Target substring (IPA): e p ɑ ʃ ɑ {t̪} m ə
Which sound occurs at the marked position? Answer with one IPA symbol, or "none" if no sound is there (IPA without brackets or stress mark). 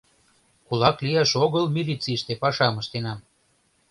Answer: none